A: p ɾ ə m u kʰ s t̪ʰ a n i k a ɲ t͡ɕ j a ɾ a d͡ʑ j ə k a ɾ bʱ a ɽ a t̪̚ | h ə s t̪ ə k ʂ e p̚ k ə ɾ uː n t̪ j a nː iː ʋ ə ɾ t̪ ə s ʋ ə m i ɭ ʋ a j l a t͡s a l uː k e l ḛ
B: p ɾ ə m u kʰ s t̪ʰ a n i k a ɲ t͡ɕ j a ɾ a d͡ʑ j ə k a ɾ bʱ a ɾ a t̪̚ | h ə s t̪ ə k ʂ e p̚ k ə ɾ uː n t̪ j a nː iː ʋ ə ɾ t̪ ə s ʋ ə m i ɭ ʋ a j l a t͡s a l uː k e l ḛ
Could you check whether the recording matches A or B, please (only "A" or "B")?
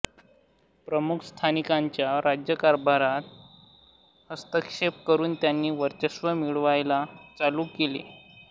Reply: B